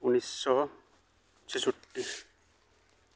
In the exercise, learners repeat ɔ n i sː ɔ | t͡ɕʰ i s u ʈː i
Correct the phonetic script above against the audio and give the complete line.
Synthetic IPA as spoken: u n i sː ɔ | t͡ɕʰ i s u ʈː i